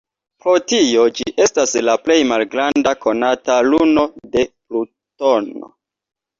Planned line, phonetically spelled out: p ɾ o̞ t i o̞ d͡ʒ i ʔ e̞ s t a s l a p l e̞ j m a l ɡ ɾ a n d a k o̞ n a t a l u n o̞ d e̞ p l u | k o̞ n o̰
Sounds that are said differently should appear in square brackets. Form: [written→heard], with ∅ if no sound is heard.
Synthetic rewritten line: p ɾ o̞ t i o̞ d͡ʒ i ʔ e̞ s t a s l a p l e̞ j m a l ɡ ɾ a n d a k o̞ n a t a l u n o̞ d e̞ p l u | [k→t] o̞ n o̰